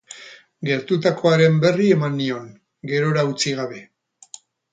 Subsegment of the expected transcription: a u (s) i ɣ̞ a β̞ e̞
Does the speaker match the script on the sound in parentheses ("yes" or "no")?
no